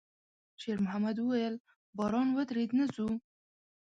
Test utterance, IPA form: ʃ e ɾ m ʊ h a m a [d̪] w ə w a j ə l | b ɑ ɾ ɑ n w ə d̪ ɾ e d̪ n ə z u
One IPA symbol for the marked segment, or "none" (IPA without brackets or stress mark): d̪